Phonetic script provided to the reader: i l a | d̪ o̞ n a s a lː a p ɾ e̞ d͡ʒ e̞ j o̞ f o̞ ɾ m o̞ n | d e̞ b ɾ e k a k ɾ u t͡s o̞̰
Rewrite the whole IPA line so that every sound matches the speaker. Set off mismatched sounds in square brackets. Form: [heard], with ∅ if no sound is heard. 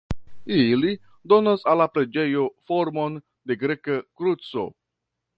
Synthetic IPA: i l [i] | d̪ o̞ n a s a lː a p ɾ e̞ d͡ʒ e̞ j o̞ f o̞ ɾ m o̞ n | d e̞ [ɡ] ɾ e k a k ɾ u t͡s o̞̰